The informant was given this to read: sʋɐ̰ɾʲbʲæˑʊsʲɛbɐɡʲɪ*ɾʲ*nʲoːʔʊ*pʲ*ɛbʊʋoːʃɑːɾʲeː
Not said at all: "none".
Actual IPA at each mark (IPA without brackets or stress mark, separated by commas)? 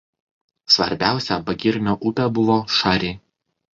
ɾʲ, pʲ